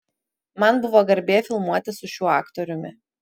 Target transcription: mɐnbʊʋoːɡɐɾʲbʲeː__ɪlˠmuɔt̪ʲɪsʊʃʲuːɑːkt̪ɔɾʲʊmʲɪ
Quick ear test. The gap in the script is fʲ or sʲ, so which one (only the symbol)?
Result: fʲ